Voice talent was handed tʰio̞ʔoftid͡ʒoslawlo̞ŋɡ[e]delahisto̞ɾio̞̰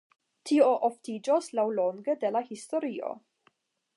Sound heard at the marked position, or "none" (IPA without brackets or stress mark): e